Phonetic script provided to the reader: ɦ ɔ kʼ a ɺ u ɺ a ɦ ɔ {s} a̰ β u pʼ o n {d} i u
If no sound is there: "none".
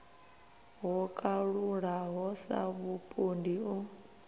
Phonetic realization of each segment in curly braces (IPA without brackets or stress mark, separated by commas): s, d